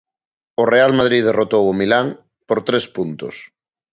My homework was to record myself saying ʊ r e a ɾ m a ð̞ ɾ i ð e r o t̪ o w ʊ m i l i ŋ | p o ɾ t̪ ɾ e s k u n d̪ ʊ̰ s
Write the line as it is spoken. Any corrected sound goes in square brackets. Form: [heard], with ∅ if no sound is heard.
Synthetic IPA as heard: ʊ r e a [l] m a ð̞ ɾ i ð e r o t̪ o w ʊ m i l [a] ŋ | p o ɾ t̪ ɾ e s [p] u n [t̪] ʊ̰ s

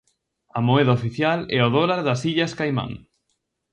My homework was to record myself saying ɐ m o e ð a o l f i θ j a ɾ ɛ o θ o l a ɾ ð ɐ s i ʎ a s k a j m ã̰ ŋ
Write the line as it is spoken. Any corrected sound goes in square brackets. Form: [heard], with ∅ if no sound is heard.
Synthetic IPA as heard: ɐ m o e ð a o [∅] f i θ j a [l] ɛ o [ð] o l a ɾ ð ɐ s i ʎ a s k a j m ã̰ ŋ

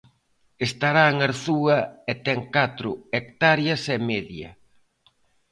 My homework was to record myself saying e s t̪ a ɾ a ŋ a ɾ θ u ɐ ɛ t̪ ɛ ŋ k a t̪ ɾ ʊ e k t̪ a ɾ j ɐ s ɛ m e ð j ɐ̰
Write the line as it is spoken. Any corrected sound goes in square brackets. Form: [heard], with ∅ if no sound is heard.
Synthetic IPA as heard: e s t̪ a ɾ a ŋ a ɾ θ u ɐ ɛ t̪ ɛ ŋ k a t̪ ɾ ʊ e k t̪ a ɾ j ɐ s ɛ m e ð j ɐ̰

